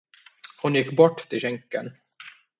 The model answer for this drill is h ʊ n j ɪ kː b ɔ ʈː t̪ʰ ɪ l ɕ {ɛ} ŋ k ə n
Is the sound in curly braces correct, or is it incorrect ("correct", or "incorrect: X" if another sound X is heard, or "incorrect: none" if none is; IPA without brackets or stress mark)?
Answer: correct